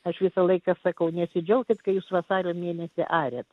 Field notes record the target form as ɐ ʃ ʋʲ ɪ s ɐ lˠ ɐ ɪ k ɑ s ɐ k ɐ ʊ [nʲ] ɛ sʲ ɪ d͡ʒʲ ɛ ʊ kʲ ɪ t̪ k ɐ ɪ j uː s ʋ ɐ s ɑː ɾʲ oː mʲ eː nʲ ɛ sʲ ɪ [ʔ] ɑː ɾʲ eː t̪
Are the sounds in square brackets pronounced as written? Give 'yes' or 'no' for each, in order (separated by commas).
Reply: yes, yes